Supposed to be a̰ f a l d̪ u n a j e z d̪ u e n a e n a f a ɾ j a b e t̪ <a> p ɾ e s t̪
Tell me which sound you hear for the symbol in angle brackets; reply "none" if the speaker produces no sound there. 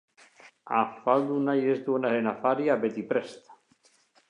i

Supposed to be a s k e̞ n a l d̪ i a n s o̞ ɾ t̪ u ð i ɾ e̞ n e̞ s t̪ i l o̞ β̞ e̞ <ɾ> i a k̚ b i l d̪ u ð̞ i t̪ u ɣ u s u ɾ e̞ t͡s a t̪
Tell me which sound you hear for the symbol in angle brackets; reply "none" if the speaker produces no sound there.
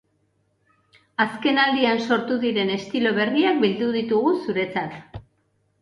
r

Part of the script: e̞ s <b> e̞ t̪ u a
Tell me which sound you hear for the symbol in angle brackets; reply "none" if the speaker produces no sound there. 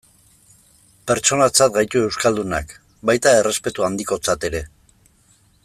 p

